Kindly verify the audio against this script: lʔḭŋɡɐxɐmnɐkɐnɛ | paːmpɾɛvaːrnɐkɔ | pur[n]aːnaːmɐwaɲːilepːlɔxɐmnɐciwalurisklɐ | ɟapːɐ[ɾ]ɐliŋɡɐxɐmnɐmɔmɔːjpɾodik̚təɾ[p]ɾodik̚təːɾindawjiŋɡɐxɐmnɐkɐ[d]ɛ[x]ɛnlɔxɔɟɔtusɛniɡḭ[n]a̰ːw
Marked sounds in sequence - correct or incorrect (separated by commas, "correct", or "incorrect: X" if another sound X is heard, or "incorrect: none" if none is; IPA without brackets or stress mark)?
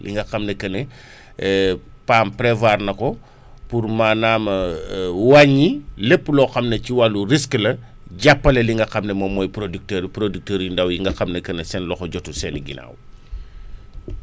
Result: incorrect: m, incorrect: l, correct, incorrect: n, incorrect: s, correct